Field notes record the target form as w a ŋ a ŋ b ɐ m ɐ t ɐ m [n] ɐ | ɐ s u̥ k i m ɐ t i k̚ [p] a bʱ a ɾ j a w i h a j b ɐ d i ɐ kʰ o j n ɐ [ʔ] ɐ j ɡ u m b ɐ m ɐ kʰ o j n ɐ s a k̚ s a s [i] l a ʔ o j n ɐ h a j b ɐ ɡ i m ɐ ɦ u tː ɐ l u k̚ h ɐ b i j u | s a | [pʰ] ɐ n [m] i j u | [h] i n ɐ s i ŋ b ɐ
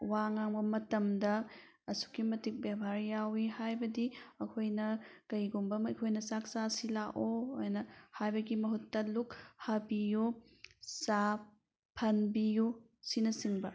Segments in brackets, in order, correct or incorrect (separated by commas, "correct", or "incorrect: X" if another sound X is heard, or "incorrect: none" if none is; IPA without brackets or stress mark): incorrect: d, incorrect: b, incorrect: k, correct, correct, incorrect: b, incorrect: s